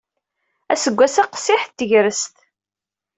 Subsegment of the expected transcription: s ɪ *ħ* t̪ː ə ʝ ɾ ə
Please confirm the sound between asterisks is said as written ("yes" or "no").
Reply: yes